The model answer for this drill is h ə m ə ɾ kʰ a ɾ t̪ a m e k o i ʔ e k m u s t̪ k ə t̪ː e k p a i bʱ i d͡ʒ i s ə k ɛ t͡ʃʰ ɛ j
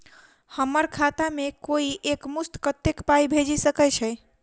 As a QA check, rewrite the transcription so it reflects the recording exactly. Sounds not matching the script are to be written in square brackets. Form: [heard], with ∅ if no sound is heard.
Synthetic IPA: h ə m ə ɾ kʰ a [∅] t̪ a m e k o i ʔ e k m u s t̪ k ə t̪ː e k p a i bʱ [e] d͡ʒ i s ə k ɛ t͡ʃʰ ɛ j